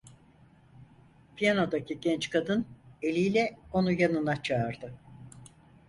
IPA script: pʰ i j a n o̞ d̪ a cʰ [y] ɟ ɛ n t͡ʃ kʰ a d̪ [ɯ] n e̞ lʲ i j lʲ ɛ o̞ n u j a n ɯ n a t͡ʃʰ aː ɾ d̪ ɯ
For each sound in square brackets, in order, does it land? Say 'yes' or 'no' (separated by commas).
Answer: no, yes